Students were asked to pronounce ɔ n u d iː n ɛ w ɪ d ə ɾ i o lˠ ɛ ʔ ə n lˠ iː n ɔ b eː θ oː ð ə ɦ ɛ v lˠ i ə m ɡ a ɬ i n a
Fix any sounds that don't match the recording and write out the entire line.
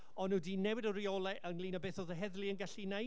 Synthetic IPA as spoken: ɔ n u d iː n ɛ w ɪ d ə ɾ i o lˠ ɛ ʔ ə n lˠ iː n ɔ b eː θ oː ð ə ɦ ɛ ð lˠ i ə n ɡ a ɬ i n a